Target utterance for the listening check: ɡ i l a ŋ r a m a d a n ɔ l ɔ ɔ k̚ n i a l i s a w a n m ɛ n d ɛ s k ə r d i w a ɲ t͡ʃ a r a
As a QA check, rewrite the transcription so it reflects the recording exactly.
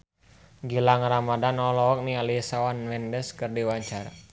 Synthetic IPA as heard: ɡ i l a ŋ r a m a d a n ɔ l ɔ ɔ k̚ n i a l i s a w a n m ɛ n d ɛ s k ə r d i w a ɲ t͡ʃ a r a